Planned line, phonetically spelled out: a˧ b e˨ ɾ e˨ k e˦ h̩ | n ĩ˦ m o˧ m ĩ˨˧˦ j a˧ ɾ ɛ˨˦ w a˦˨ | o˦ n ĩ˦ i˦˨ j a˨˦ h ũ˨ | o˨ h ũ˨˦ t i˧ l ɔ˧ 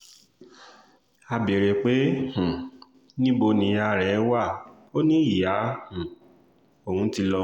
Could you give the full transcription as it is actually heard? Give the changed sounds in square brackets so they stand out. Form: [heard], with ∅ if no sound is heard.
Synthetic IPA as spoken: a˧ b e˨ ɾ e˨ [k͡p] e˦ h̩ | n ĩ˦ [b] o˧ [n] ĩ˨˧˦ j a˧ ɾ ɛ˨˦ w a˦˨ | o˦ n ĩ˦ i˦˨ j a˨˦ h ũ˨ | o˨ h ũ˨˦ t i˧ l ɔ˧